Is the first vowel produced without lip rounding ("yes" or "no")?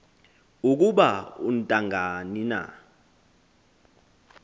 no